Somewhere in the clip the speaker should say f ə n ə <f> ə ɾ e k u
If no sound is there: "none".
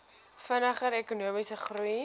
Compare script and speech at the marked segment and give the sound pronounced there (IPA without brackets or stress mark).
χ